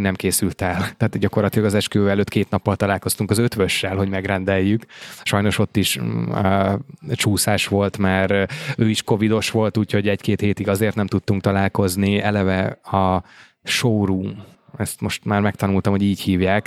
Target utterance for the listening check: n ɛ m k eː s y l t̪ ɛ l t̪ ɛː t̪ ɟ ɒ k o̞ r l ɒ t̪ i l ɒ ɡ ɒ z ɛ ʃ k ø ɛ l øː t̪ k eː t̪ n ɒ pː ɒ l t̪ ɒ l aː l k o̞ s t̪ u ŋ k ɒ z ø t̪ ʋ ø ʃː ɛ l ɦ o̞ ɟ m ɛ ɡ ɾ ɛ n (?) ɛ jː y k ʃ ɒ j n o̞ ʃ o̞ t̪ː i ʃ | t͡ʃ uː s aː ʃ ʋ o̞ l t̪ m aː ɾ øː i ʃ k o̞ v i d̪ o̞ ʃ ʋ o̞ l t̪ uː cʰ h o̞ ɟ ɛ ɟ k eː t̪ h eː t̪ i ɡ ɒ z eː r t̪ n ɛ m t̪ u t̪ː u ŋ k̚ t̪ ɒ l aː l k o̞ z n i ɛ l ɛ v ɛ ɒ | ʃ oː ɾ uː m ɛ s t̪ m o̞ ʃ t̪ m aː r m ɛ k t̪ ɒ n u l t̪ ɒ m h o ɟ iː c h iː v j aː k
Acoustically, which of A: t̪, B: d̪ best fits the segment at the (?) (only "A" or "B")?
B